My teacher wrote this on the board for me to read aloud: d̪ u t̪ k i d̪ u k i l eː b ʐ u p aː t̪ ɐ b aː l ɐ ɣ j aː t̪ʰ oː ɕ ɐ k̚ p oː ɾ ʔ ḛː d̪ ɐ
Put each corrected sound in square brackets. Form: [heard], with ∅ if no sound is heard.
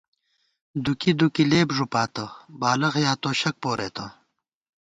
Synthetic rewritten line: d̪ u [∅] k i d̪ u k i l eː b ʐ u p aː t̪ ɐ b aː l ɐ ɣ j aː [t̪] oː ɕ ɐ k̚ p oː ɾ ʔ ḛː [t̪] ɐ